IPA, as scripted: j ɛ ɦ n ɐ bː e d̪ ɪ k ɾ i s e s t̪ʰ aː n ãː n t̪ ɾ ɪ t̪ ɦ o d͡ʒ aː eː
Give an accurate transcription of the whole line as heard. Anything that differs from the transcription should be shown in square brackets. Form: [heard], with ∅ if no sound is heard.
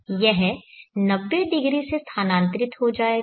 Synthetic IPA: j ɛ ɦ n ɐ bː e d̪ ɪ [ɡ] ɾ i s e s t̪ʰ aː n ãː n t̪ ɾ ɪ t̪ ɦ o d͡ʒ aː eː

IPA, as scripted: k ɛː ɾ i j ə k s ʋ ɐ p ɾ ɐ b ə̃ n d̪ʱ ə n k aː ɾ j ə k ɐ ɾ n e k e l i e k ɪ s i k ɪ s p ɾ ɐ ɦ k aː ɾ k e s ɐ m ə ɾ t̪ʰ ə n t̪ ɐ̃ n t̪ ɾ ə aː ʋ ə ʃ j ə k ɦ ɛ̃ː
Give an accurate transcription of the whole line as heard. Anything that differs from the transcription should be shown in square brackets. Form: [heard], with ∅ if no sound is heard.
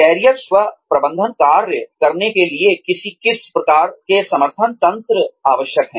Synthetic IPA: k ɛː ɾ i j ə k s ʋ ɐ p ɾ ɐ b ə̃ n d̪ʱ ə n k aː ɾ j ə k ɐ ɾ n e k e l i e k ɪ s i k ɪ s p ɾ ɐ [∅] k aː ɾ k e s ɐ m ə ɾ t̪ʰ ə n t̪ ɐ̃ n t̪ ɾ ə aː ʋ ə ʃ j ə k ɦ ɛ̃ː

